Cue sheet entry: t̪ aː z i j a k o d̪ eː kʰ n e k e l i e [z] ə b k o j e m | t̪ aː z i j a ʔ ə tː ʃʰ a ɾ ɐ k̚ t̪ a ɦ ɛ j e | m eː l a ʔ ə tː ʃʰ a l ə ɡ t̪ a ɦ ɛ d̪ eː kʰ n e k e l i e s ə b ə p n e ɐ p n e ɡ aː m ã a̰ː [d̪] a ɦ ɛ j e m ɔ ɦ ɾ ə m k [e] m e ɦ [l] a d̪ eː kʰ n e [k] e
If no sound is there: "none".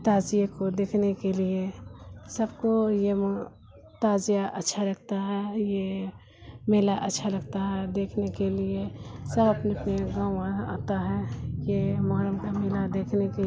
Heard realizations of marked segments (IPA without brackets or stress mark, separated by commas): s, t̪, a, l, k